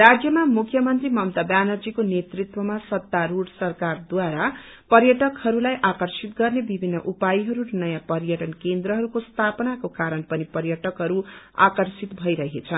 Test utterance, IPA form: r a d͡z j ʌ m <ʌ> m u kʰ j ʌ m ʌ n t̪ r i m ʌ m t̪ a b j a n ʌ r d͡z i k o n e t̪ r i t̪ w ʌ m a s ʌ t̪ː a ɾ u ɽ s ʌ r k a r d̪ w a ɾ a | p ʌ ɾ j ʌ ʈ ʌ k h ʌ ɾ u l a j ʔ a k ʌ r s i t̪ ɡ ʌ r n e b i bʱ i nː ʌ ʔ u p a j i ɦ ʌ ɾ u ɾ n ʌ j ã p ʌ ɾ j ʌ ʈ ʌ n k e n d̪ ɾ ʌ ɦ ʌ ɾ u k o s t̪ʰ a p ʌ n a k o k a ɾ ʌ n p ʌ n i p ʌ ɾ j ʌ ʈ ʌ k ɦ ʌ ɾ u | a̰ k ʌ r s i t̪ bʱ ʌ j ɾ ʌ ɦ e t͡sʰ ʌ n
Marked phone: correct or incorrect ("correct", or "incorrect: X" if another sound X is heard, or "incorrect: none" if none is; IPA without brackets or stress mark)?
incorrect: a